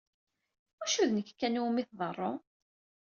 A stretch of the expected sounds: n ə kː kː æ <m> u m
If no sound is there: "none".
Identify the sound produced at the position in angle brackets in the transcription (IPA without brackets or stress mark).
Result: n